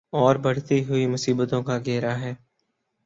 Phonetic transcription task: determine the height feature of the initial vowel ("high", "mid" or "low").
mid